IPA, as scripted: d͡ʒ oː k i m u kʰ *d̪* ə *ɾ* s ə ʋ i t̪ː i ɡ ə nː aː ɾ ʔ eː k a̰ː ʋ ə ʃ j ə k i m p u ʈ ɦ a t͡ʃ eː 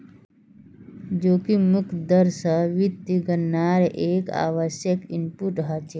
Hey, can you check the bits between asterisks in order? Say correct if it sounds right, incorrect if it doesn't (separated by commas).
correct, correct